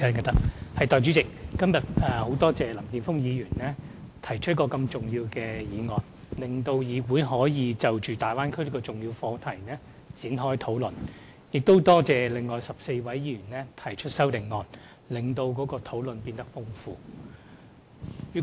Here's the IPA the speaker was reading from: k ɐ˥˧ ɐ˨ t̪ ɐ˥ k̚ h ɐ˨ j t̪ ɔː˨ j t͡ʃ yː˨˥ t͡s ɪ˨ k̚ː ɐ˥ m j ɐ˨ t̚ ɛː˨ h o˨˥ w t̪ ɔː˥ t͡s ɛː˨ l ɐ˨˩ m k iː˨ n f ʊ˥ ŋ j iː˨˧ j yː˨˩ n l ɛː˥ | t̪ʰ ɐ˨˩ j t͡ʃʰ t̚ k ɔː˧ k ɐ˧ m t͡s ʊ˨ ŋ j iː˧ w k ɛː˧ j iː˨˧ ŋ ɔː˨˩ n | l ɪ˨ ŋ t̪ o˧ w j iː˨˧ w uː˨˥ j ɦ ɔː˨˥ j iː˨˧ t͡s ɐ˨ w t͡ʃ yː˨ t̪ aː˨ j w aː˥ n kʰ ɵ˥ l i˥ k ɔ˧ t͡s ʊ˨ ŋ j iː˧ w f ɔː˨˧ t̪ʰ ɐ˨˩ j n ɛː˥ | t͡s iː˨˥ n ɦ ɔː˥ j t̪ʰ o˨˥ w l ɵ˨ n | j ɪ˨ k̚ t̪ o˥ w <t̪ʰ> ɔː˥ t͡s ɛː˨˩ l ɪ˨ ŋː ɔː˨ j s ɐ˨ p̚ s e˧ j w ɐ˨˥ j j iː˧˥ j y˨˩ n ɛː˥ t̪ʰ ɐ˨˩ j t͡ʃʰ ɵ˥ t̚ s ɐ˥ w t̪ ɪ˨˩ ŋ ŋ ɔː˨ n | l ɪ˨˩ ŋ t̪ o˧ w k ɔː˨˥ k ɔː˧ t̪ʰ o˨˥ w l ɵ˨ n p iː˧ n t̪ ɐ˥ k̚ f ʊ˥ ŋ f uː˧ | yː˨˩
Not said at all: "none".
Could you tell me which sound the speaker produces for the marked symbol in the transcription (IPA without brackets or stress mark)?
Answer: t̪